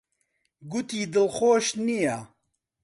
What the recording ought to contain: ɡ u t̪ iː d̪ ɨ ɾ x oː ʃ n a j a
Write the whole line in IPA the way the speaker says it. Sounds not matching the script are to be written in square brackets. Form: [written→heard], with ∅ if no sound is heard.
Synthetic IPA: ɡ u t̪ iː d̪ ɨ [ɾ→l] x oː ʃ n [a→i] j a